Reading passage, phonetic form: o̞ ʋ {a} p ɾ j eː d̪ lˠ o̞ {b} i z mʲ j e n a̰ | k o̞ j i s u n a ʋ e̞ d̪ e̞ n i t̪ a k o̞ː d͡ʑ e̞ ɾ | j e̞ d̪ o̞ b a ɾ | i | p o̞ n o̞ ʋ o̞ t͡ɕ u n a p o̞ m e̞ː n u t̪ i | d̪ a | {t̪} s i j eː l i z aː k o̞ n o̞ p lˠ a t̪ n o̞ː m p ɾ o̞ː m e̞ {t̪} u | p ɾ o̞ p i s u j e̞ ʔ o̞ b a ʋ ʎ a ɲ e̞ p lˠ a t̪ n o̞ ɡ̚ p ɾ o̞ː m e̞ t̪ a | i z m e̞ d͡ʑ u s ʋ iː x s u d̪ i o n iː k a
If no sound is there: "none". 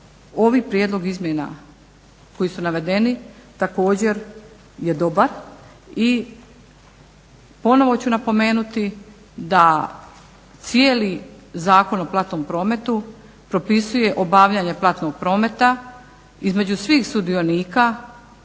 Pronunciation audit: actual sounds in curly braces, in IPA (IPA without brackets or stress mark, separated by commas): i, ɡ, t̪, t̪